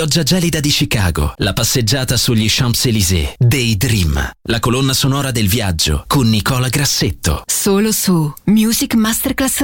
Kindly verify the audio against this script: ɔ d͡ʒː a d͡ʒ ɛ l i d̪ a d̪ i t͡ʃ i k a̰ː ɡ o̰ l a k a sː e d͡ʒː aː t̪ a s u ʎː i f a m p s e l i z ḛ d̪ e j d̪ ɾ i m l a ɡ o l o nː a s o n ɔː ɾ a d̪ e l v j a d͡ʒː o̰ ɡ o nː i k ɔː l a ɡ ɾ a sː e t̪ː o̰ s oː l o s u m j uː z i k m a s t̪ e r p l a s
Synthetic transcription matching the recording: ɔ d͡ʒː a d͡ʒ ɛ l i d̪ a d̪ i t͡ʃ i k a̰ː ɡ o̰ l a p a sː e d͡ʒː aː t̪ a s u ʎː i ʃ a m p s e l i z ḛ d̪ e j d̪ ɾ i m l a k o l o nː a s o n ɔː ɾ a d̪ e l v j a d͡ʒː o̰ k o nː i k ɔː l a ɡ ɾ a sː e t̪ː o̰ s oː l o s u m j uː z i k m a s t̪ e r k l a s